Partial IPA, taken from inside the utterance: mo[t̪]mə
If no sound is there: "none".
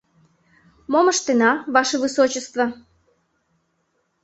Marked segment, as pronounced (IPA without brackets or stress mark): none